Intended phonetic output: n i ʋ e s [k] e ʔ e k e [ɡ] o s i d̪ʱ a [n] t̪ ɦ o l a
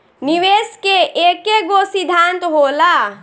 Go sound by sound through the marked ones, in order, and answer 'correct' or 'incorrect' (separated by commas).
correct, correct, correct